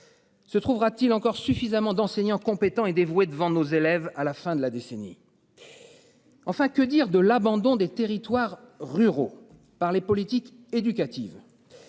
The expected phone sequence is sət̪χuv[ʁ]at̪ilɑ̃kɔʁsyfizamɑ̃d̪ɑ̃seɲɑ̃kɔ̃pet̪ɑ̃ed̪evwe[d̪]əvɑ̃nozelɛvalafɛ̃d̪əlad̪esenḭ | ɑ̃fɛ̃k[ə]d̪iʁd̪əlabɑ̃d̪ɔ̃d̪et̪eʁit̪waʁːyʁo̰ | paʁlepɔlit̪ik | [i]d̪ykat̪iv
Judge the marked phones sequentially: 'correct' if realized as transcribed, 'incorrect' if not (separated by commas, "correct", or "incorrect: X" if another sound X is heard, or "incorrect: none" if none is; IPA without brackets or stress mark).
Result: correct, correct, correct, incorrect: e